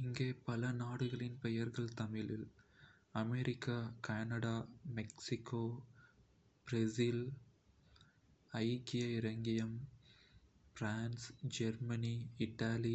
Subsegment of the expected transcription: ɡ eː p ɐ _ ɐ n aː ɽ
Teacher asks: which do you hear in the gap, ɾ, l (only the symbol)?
l